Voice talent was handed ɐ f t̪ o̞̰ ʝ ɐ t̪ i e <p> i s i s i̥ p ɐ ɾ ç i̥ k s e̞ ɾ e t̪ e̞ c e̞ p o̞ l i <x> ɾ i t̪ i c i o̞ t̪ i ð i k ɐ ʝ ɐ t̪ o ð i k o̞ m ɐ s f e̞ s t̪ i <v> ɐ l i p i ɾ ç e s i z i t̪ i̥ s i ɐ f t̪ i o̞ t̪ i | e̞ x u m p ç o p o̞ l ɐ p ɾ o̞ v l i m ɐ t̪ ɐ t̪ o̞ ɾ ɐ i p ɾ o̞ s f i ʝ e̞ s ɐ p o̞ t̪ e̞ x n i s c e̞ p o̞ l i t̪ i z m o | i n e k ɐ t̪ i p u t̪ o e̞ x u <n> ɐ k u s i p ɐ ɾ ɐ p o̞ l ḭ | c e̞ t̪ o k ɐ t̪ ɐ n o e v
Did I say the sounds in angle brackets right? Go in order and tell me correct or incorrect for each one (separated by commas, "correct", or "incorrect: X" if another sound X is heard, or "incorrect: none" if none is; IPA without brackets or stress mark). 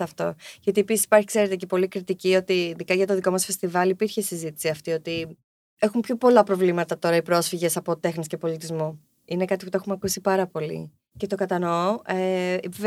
correct, incorrect: k, correct, incorrect: m